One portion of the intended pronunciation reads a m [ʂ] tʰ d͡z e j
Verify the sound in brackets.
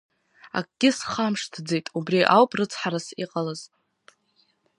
correct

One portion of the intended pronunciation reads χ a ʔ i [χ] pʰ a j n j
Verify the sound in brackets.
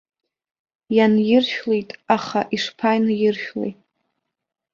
incorrect: ʂ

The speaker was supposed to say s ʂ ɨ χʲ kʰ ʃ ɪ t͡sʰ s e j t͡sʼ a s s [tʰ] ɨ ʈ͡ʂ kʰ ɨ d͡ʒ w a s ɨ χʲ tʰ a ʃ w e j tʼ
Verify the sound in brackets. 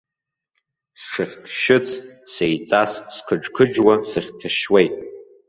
incorrect: kʰ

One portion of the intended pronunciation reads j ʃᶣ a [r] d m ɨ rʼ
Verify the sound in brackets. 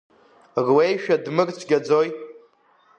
incorrect: none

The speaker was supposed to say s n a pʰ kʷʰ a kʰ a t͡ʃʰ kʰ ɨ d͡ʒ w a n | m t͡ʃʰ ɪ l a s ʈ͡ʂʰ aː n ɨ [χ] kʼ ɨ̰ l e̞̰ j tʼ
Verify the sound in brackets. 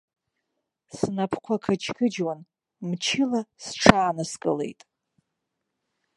incorrect: s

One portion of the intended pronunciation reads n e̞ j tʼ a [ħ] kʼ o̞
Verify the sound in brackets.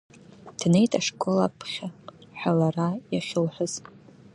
incorrect: ʂ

